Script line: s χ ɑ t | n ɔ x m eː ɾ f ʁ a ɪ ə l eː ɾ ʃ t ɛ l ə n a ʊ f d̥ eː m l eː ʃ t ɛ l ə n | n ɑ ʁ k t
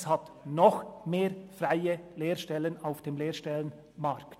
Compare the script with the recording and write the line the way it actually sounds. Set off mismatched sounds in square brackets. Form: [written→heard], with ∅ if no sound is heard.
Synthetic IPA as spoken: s [χ→h] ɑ t | n ɔ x m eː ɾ f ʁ a ɪ ə l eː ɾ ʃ t ɛ l ə n a ʊ f d̥ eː m l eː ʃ t ɛ l ə n | [n→m] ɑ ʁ k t